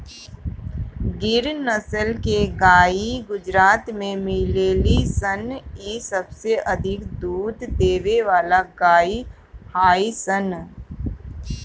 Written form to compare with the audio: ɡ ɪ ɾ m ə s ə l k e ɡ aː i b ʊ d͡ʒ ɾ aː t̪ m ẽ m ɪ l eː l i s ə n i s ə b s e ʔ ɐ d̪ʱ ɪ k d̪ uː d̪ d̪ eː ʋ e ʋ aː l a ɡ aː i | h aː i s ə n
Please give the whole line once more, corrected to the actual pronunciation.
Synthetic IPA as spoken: ɡ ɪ ɾ n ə s ə l k e ɡ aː i ɡ ʊ d͡ʒ ɾ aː t̪ m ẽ m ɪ l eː l i s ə n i s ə b s e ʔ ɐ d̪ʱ ɪ k d̪ uː d̪ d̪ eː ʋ e ʋ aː l a ɡ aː i | h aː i s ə n